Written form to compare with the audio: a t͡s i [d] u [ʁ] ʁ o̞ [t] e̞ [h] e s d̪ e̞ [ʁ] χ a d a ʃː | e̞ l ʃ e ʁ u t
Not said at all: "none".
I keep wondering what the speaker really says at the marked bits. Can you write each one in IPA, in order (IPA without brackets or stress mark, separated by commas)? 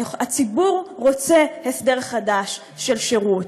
b, ʁ, t͡s, h, ʁ